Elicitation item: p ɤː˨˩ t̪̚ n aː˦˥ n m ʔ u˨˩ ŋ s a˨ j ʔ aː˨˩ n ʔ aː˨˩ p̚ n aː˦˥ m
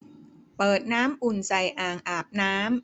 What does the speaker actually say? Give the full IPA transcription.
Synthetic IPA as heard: p ɤː˨˩ t̪̚ n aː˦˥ m ʔ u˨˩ n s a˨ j ʔ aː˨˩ ŋ ʔ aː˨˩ p̚ n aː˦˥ m